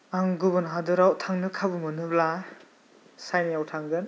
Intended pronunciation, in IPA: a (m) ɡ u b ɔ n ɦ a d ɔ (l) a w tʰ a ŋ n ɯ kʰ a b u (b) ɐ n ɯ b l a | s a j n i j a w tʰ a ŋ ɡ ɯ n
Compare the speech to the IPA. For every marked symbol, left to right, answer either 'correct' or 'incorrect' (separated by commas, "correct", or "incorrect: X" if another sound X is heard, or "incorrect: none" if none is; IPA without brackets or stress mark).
incorrect: ŋ, incorrect: ɾ, incorrect: m